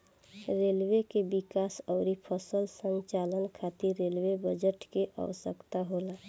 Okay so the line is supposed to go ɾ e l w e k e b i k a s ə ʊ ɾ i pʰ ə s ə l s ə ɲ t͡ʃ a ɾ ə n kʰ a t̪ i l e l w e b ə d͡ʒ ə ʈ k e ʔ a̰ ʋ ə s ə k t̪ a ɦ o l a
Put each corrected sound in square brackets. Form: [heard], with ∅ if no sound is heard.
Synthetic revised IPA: ɾ e l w e k e b i k a s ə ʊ ɾ i pʰ ə s ə l s ə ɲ t͡ʃ a [l] ə n kʰ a t̪ i [ɾ] e l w e b ə d͡ʒ ə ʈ k e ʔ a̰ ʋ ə s ə k t̪ a ɦ o l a